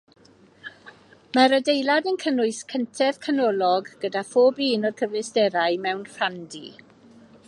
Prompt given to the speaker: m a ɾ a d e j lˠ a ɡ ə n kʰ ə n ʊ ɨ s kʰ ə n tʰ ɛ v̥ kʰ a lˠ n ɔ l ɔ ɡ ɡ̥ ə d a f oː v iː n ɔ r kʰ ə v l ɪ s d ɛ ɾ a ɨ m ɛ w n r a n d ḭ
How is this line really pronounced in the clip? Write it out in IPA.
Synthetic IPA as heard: m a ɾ ə d e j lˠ a d ə n kʰ ə n ʊ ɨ s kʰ ə n tʰ ɛ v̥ kʰ a n ɔ l ɔ ɡ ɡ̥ ə d a f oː b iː n ɔ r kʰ ə v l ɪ s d ɛ ɾ a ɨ m ɛ w n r a n d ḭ